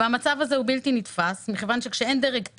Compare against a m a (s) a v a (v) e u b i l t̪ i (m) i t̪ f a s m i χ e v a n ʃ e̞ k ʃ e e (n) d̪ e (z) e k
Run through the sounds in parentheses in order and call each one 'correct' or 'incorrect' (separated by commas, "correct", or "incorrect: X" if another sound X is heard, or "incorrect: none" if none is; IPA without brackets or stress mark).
incorrect: t͡s, incorrect: z, incorrect: n, correct, incorrect: ʁ